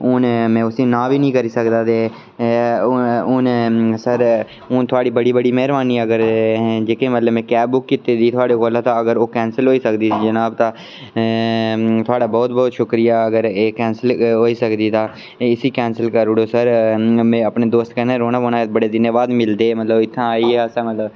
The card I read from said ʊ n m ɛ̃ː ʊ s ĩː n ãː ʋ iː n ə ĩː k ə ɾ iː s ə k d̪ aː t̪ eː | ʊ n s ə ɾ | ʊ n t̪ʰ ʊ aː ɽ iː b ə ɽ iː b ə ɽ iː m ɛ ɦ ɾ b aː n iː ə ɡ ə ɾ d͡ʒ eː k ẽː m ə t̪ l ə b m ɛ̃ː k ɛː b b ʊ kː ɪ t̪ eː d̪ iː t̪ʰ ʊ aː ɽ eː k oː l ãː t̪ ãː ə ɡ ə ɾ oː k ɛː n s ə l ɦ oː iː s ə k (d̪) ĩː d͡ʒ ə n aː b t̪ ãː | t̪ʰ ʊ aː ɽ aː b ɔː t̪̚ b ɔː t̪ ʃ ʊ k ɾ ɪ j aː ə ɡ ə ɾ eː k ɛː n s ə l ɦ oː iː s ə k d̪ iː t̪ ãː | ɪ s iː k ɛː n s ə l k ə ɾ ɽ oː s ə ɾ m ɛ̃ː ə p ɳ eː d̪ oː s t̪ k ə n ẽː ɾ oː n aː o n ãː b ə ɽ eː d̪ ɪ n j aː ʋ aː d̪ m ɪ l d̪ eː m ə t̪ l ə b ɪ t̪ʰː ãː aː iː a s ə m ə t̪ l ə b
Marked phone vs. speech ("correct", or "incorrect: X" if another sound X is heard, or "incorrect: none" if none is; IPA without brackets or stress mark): correct